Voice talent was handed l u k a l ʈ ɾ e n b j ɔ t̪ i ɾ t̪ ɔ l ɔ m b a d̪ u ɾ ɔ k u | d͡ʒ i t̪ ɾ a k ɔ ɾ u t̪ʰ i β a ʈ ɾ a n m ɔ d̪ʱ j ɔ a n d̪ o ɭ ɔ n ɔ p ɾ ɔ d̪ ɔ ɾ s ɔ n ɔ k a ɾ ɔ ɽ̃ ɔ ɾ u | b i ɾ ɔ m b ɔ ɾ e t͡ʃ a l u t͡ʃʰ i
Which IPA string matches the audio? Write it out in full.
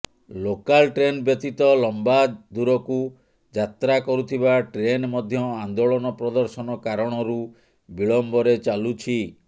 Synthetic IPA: l o k a l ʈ ɾ e n b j ɔ t̪ i t̪ ɔ l ɔ m b a d̪ u ɾ ɔ k u | d͡ʒ a t̪ ɾ a k ɔ ɾ u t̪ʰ i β a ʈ ɾ e n m ɔ d̪ʱ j ɔ a n d̪ o ɭ ɔ n ɔ p ɾ ɔ d̪ ɔ ɾ s ɔ n ɔ k a ɾ ɔ ɽ̃ ɔ ɾ u | b i ɭ ɔ m b ɔ ɾ e t͡ʃ a l u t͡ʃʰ i